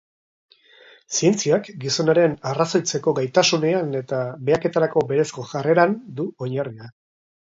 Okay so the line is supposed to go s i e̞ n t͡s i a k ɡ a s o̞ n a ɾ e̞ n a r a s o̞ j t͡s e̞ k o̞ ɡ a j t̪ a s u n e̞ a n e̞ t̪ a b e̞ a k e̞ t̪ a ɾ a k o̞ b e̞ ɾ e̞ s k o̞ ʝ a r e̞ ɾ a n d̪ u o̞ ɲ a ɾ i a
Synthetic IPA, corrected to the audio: s i e̞ n t͡s i a k ɡ i s o̞ n a ɾ e̞ n a r a s o̞ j t͡s e̞ k o̞ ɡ a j t̪ a s u n e̞ a n e̞ t̪ a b e̞ a k e̞ t̪ a ɾ a k o̞ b e̞ ɾ e̞ s k o̞ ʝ a r e̞ ɾ a n d̪ u o̞ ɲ a r i a